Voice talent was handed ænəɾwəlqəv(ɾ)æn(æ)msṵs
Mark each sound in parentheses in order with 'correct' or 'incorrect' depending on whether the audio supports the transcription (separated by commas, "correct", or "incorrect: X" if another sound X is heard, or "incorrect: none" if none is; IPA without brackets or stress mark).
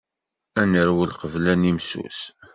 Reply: incorrect: l, incorrect: i